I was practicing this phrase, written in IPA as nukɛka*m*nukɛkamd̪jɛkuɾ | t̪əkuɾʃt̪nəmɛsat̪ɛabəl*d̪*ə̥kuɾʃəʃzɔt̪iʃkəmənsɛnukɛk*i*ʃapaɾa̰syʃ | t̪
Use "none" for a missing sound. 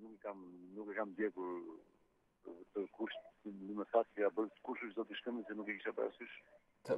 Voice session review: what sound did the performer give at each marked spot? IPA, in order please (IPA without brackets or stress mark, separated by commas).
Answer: m, t̪, i